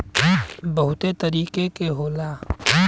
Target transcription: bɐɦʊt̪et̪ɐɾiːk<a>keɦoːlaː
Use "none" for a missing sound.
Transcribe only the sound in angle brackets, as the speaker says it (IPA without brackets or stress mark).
e